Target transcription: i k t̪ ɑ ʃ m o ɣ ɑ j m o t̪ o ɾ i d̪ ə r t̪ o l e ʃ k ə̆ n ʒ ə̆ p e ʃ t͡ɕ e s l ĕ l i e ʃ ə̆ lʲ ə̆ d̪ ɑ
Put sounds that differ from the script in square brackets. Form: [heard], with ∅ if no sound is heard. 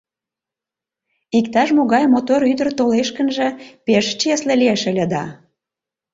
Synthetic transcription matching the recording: i k t̪ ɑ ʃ m o ɣ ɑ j m o t̪ o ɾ [y] d̪ ə r t̪ o l e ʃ k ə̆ n ʒ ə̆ p e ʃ t͡ɕ e s l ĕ l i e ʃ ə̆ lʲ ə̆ d̪ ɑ